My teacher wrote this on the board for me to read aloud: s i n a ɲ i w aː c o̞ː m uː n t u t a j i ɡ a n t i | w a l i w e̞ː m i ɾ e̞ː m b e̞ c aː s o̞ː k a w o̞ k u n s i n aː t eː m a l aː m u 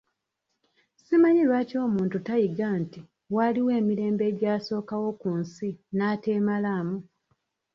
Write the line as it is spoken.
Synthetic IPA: s i m a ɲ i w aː c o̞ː m uː n t u t a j i ɡ a n t i | w a l i w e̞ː m i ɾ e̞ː m b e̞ ɟ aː s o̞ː k a w o̞ k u n s i n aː t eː m a l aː m u